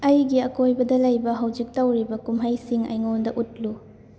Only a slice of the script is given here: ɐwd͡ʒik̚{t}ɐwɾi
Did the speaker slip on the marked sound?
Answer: no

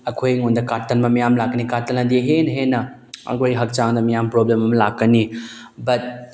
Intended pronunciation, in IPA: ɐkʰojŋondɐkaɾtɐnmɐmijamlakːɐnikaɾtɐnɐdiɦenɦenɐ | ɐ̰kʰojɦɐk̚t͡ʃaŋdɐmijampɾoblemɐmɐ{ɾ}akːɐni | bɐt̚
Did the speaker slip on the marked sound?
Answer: yes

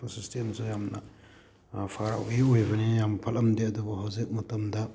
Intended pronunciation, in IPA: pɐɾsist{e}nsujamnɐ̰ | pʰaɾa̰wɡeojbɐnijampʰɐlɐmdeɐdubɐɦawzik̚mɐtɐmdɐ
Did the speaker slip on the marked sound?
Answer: no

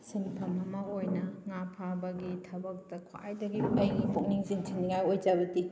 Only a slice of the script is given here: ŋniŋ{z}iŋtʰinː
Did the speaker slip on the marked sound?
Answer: no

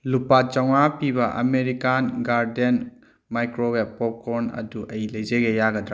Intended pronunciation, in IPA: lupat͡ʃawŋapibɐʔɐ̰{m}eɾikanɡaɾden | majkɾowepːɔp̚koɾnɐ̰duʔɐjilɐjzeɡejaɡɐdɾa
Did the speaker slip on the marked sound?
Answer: no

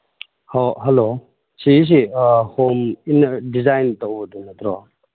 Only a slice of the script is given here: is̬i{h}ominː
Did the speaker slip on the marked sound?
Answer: no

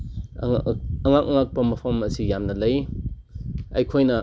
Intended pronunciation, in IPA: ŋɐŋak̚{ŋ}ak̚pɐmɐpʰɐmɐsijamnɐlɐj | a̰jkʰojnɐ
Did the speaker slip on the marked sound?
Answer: no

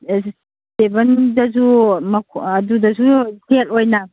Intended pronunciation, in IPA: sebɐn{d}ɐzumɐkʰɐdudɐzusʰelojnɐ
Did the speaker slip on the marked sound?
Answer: no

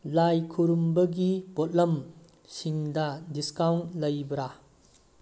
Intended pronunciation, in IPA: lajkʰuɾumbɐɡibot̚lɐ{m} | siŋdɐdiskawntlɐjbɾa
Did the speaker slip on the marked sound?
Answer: no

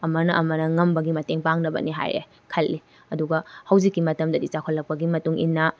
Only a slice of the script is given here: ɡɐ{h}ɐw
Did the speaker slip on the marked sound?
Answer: no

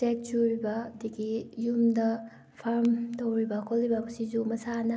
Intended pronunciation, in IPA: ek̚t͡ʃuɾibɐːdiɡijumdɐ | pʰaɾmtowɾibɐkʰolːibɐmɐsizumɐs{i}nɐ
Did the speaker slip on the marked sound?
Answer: yes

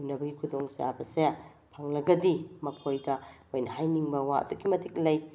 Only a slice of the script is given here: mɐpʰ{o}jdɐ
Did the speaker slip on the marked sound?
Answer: no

